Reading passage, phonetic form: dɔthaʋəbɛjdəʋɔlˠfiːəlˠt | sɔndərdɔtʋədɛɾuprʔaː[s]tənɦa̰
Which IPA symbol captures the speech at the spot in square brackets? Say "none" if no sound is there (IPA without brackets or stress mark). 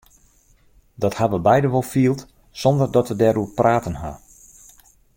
none